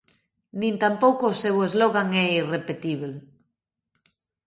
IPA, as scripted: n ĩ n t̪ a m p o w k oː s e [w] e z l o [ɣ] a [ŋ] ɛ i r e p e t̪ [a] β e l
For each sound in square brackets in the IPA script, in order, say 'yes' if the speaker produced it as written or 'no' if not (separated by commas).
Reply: yes, yes, yes, no